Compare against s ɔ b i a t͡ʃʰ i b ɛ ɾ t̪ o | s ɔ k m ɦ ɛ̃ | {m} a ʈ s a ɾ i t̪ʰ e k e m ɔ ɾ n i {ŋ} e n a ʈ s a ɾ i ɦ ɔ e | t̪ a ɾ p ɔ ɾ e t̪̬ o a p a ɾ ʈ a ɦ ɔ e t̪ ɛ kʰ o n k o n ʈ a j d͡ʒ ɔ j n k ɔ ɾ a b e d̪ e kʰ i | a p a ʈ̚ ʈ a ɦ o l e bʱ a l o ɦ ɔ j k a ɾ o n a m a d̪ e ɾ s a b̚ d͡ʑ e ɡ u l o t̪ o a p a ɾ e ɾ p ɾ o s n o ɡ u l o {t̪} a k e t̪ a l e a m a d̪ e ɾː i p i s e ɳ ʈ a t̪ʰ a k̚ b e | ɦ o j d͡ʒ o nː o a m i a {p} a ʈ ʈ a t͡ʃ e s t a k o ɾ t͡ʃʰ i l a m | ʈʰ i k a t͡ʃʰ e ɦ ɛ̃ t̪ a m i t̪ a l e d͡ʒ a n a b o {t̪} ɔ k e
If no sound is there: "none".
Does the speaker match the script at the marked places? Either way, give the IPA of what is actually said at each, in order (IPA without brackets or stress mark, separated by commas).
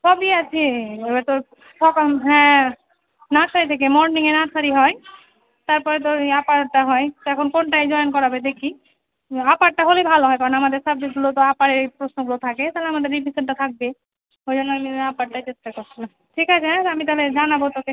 n, ŋ, t̪ʰ, p, t̪